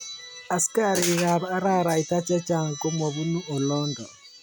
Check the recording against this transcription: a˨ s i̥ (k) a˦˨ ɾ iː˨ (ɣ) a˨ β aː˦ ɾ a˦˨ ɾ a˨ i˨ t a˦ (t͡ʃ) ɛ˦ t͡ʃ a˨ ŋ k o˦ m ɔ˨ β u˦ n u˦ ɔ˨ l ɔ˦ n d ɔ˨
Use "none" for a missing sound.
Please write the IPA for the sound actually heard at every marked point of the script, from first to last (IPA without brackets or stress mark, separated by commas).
k, ɣ, t͡ʃ